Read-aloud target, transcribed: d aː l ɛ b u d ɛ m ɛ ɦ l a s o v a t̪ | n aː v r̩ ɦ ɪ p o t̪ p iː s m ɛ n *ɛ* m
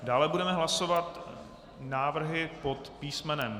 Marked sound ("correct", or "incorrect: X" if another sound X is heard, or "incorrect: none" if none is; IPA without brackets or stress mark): correct